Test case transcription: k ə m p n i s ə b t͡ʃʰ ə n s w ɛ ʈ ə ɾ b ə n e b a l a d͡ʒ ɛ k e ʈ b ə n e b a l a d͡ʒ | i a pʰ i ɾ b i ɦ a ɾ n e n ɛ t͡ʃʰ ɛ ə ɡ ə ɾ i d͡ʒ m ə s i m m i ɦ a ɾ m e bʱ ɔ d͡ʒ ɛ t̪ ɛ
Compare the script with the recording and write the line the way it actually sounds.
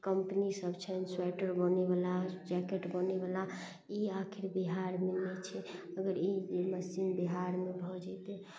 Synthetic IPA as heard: k ə m p n i s ə b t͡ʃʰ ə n s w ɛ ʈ ə ɾ b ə n e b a l a d͡ʒ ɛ k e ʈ b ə n e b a l a | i a kʰ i ɾ b i ɦ a ɾ m e n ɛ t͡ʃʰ ɛ ə ɡ ə ɾ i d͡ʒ m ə s i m b i ɦ a ɾ m e bʱ ɔ d͡ʒ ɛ t̪ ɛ